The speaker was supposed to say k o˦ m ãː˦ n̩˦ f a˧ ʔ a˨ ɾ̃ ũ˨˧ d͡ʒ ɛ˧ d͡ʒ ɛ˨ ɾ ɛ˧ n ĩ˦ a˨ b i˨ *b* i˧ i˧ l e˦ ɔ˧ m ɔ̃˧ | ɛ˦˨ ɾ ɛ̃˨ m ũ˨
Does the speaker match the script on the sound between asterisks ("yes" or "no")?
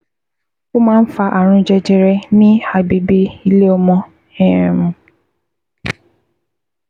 yes